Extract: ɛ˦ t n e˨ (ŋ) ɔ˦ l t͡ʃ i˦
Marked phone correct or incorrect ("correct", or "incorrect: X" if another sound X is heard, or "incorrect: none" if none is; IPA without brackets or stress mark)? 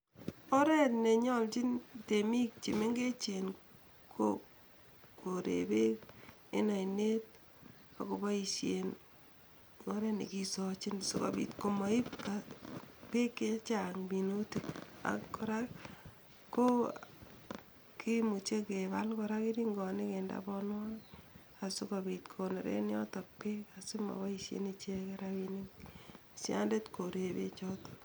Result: incorrect: ɲ